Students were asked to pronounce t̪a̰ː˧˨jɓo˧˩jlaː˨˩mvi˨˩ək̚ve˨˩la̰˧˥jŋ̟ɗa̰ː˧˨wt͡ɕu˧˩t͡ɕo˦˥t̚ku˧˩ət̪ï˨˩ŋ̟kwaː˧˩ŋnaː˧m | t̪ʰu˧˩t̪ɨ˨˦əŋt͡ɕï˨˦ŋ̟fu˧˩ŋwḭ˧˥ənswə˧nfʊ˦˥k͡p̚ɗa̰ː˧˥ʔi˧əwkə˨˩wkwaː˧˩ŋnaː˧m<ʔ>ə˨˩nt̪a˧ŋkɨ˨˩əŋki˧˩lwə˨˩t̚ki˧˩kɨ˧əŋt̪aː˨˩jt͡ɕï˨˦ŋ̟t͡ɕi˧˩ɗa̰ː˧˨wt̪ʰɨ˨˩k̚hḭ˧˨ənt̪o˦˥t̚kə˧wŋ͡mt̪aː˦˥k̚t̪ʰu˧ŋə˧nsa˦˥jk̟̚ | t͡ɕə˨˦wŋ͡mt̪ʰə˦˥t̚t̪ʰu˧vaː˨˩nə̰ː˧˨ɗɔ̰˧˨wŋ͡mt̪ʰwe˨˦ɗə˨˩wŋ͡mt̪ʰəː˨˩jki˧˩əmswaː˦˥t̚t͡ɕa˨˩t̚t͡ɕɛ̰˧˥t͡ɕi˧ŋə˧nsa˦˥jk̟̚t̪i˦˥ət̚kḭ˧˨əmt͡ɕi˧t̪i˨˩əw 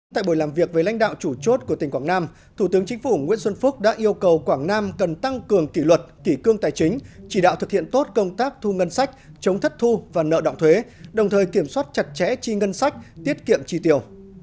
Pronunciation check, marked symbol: incorrect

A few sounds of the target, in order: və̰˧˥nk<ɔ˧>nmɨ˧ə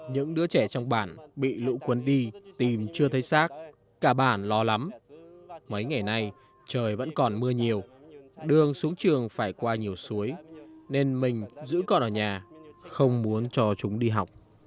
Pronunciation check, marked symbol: incorrect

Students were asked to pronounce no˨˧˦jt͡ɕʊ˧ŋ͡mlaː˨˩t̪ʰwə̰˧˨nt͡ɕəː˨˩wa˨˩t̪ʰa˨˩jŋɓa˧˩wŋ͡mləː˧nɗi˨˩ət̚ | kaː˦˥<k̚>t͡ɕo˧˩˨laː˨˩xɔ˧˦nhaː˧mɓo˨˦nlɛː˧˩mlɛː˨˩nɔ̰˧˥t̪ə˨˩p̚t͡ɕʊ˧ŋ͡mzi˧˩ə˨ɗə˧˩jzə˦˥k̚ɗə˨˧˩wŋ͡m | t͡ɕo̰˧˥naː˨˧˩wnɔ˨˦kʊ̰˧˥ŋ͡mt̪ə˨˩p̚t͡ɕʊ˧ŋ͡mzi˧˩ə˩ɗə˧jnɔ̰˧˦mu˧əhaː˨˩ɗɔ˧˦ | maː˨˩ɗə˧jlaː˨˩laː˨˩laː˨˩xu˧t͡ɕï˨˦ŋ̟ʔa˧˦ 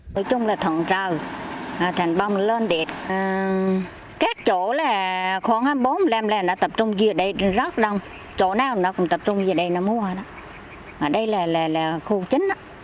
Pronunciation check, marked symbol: correct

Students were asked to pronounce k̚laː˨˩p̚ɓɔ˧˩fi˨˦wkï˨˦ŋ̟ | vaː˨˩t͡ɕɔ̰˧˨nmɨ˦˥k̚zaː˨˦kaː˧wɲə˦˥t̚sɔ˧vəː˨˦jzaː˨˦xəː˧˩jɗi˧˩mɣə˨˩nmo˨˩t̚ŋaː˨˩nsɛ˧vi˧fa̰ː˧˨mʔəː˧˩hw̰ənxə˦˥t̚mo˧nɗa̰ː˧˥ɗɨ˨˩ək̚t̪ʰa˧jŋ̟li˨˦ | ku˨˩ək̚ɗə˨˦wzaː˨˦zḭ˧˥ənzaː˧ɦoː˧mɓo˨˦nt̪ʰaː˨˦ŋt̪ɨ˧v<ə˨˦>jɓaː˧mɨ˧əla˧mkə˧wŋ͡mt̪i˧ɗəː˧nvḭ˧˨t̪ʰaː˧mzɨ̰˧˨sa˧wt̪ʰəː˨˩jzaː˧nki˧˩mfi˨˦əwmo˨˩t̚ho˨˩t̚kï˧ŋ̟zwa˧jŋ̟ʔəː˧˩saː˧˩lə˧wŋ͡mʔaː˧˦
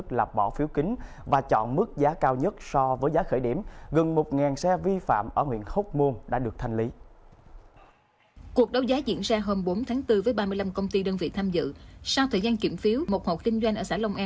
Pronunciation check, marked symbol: incorrect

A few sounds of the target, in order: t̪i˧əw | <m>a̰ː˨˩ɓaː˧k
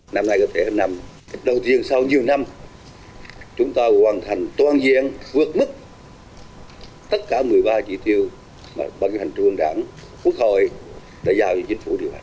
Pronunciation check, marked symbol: correct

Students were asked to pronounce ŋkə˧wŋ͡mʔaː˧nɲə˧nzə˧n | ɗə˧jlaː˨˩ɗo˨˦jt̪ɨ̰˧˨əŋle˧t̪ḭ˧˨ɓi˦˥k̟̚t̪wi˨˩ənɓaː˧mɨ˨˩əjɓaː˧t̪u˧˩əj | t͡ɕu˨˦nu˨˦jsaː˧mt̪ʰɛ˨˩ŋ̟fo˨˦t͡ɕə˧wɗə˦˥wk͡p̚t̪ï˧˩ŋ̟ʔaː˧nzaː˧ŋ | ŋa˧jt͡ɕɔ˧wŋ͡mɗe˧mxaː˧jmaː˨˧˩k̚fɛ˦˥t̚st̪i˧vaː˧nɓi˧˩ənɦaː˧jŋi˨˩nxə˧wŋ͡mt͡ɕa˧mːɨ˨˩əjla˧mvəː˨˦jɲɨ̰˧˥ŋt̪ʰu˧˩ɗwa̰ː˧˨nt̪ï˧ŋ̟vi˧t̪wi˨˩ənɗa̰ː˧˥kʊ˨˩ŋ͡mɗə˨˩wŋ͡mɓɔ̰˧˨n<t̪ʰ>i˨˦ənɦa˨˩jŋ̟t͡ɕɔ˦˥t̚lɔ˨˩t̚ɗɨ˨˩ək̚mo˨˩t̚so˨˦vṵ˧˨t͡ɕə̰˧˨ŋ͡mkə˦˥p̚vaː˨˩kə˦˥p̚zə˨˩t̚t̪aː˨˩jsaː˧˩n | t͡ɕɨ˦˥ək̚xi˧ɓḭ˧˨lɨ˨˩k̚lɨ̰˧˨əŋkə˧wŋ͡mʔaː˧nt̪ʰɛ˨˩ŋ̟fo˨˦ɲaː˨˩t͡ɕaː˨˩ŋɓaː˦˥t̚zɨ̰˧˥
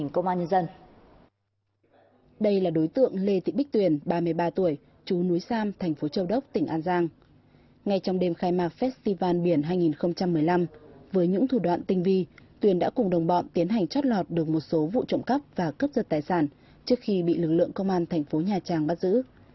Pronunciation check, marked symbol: incorrect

